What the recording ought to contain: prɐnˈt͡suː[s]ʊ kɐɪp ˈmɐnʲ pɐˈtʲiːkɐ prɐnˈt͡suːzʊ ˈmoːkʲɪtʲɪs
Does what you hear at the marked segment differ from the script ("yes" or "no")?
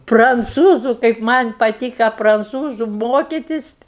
yes